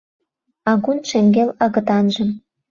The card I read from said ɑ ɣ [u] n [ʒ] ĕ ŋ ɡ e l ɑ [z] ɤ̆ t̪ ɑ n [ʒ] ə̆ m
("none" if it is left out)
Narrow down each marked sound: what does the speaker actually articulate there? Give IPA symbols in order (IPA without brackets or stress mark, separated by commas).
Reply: u, ʃ, ɣ, ʒ